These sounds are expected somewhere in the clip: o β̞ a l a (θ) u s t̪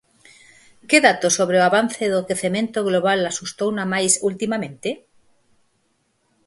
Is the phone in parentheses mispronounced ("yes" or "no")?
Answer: yes